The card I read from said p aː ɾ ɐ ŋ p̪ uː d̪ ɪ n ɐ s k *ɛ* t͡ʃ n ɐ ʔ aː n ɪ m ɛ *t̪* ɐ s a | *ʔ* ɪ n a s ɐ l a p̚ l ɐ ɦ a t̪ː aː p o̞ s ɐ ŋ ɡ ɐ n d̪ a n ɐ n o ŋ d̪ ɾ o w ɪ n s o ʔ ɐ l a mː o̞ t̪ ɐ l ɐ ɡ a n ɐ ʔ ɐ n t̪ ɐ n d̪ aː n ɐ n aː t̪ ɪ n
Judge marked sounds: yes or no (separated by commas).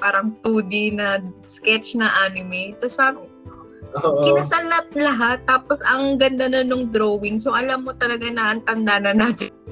yes, yes, no